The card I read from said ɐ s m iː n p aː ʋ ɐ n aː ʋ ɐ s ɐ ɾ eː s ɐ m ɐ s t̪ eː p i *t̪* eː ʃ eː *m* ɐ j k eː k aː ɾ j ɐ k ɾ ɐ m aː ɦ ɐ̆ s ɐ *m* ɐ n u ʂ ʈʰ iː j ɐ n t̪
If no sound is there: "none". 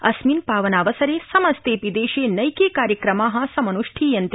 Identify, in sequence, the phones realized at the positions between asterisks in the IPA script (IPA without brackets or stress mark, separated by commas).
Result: d̪, n, m